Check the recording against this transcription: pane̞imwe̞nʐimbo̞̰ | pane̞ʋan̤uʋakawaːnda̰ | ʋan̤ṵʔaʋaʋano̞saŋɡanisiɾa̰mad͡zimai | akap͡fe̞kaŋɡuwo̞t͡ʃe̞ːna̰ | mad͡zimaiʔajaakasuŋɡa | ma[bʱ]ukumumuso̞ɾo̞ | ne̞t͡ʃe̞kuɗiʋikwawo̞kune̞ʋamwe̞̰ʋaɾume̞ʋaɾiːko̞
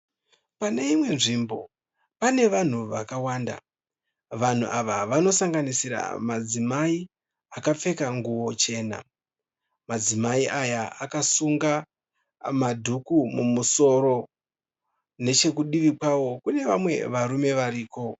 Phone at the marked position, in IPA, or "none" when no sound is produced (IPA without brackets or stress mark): dʱ